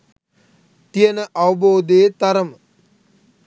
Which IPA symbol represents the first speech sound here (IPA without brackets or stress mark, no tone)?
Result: t̪